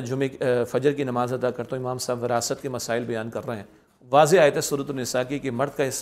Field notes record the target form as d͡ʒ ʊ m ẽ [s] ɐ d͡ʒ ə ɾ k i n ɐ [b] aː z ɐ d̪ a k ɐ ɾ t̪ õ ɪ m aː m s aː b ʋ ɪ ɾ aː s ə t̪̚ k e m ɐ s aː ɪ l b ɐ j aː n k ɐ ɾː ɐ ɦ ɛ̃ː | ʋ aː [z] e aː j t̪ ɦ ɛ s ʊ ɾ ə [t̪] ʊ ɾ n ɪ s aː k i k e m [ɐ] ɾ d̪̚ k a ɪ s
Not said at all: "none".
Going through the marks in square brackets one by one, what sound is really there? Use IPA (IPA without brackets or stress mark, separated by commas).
f, m, z, t̪, ɐ